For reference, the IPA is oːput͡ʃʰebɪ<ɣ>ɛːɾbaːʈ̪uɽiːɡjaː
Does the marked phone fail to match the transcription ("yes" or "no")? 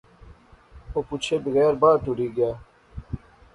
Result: no